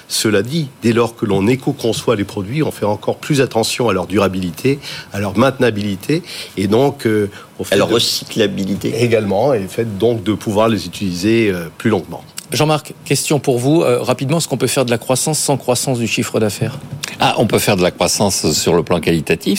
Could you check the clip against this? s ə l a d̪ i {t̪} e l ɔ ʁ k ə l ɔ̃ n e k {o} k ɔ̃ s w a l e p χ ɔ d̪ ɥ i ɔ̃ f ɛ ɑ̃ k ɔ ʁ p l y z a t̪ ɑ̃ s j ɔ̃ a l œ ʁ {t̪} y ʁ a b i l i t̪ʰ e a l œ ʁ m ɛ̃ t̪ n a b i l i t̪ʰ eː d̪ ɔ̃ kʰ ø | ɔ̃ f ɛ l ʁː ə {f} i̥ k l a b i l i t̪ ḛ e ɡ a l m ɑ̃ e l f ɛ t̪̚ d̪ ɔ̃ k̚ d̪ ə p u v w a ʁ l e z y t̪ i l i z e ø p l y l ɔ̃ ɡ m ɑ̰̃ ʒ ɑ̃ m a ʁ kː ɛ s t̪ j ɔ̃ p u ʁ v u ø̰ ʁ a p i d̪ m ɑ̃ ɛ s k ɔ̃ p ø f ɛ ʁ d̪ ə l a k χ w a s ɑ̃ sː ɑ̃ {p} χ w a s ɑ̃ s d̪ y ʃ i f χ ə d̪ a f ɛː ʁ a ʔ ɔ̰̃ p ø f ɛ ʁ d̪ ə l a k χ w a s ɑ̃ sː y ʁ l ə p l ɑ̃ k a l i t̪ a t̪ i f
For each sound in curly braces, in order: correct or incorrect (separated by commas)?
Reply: incorrect, correct, incorrect, incorrect, incorrect